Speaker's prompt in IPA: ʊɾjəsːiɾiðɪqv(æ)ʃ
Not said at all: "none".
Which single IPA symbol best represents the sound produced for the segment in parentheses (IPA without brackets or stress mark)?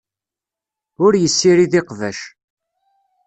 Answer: æ